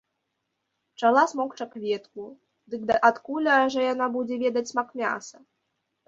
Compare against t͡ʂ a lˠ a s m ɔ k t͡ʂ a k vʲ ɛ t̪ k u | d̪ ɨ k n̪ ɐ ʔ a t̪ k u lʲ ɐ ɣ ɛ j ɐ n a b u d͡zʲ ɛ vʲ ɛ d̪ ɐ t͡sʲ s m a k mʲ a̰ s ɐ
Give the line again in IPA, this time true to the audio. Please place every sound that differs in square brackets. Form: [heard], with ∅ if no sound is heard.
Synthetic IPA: t͡ʂ a lˠ a s m ɔ k t͡ʂ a k vʲ ɛ t̪ k u | d̪ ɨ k [d̪] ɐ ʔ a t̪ k u lʲ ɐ [ʐ] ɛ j [a] n a b u d͡zʲ ɛ vʲ ɛ d̪ ɐ t͡sʲ s m a k mʲ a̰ s ɐ